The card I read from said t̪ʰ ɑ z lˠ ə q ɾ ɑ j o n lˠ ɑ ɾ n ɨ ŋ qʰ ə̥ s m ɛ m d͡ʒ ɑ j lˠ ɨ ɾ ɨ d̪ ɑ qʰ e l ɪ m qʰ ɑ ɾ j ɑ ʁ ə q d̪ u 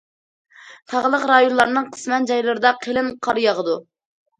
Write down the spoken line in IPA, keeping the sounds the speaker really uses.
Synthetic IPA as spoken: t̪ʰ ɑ ʁ lˠ ə q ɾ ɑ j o n lˠ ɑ ɾ n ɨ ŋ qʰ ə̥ s m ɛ n d͡ʒ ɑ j lˠ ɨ ɾ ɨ d̪ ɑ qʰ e l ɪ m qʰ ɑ ɾ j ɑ ʁ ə d̪ u

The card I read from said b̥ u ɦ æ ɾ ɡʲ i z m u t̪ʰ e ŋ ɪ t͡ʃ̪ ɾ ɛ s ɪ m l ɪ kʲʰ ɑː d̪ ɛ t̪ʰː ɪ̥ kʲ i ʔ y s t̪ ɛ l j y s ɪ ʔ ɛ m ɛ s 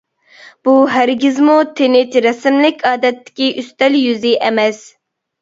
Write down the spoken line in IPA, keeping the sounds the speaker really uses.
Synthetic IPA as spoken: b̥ u ɦ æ ɾ ɡʲ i z m u t̪ʰ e n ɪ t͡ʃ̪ ɾ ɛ s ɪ m l ɪ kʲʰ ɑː d̪ ɛ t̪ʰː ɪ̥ kʲ i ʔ y s t̪ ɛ l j y z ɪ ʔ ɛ m ɛ s

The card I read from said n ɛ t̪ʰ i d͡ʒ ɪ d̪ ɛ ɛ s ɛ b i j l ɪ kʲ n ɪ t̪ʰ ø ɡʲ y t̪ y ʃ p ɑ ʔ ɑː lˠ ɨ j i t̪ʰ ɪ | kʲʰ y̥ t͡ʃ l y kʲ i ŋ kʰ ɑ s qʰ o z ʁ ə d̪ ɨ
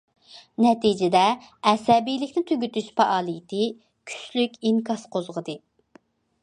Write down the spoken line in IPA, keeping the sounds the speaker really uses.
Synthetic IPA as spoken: n ɛ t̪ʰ i d͡ʒ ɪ d̪ ɛ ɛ s ɛ b i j l ɪ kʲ n ɪ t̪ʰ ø ɡʲ y t̪ y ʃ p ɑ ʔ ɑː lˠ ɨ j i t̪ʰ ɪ | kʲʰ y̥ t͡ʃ l y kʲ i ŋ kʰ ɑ s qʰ o z ʁ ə d̪ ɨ

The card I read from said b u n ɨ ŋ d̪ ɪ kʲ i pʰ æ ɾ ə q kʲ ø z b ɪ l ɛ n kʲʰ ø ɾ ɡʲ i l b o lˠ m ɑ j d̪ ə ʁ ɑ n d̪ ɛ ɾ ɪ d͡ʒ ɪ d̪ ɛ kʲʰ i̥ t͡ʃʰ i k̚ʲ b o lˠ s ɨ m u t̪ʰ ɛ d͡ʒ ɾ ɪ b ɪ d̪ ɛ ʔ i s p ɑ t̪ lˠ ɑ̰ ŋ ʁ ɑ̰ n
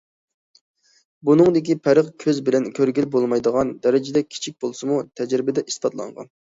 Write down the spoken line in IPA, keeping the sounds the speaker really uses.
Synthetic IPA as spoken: b u n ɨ ŋ d̪ ɪ kʲ i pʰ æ ɾ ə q kʲʰ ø z b ɪ l ɛ n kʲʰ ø ɾ ɡʲ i l b o lˠ m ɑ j d̪ ə ʁ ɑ n d̪ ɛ ɾ ɪ d͡ʒ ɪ d̪ ɛ kʲʰ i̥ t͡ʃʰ i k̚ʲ b o lˠ s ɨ m u t̪ʰ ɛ d͡ʒ ɾ ɪ b ɪ d̪ ɛ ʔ i s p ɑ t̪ lˠ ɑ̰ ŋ ʁ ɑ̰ n

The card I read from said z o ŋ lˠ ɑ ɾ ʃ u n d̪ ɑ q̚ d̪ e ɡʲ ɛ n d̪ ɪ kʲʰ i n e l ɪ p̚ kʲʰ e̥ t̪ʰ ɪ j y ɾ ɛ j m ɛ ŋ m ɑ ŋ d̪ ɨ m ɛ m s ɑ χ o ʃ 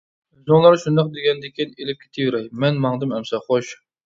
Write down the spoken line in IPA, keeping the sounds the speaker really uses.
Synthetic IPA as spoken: z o ŋ lˠ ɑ ɾ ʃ u n d̪ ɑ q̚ d̪ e ɡʲ ɛ n d̪ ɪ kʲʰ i n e l ɪ p̚ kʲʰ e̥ t̪ʰ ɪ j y ɾ ɛ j m ɛ n m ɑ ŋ d̪ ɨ m ɛ m s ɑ χ o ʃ

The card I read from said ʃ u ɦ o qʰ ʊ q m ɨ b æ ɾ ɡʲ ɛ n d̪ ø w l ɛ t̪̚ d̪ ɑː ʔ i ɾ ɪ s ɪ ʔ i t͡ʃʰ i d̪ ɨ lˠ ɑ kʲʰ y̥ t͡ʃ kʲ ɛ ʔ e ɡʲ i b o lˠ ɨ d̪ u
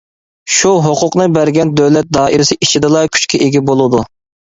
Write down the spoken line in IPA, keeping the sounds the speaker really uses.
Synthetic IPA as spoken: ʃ u ɦ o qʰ ʊ q n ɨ b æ ɾ ɡʲ ɛ n d̪ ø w l ɛ t̪̚ d̪ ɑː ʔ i ɾ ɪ s ɪ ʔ i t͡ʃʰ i d̪ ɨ lˠ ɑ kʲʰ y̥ t͡ʃ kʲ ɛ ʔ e ɡʲ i b o lˠ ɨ d̪ u

